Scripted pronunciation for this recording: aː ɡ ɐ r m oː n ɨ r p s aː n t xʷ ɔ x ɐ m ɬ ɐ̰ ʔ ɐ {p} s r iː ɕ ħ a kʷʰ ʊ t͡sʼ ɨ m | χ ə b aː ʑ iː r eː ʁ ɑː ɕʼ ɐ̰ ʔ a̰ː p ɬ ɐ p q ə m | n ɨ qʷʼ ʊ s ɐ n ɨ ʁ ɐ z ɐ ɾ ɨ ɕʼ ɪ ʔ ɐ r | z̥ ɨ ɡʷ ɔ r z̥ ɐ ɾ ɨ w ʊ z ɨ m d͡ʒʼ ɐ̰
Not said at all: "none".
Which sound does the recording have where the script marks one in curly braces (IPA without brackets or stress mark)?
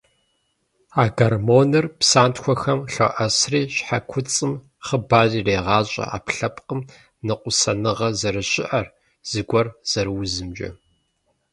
none